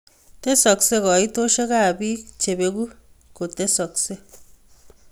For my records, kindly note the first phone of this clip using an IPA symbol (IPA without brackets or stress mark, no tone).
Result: t